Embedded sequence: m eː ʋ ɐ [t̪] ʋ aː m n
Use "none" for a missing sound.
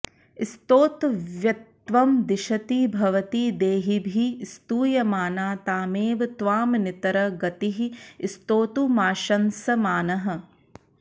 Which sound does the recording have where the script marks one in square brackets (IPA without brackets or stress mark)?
t̪